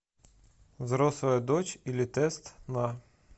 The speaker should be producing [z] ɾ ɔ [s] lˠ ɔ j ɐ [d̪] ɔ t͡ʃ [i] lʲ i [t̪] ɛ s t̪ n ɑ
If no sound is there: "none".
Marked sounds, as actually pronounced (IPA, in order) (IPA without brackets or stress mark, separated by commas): z, s, d̪, i, t̪